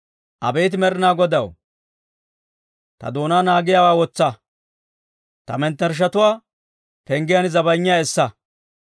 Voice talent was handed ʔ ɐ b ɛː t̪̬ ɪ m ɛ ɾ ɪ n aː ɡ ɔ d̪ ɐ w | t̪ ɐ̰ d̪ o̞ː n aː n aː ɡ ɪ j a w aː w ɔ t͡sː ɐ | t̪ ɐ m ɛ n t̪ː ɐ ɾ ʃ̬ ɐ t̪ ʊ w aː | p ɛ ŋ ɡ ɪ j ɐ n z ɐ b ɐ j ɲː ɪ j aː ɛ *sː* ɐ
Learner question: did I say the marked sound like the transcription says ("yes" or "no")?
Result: yes